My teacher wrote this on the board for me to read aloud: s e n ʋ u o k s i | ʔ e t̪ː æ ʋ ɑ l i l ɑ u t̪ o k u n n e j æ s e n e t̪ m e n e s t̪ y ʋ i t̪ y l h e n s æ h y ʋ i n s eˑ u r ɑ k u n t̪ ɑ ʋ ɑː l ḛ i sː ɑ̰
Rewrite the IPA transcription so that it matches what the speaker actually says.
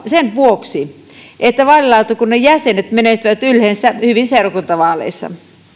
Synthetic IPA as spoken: s e n ʋ u o k s i | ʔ e t̪ː æ ʋ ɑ l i l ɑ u t̪ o k u n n e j æ s e n e t̪ m e n e s t̪ y ʋ æ t̪ y l h e n s æ h y ʋ i n s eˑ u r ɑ k u n t̪ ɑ ʋ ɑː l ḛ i sː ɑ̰